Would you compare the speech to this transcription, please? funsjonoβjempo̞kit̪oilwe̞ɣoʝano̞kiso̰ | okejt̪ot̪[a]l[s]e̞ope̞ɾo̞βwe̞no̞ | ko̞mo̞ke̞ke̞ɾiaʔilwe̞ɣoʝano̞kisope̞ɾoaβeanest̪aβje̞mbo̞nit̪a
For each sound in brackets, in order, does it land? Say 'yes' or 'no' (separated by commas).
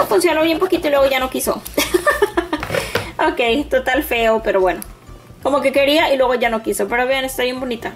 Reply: yes, no